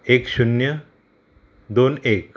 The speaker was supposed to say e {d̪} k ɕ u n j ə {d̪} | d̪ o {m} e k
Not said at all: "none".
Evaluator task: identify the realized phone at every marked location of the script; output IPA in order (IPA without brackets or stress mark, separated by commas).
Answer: none, none, n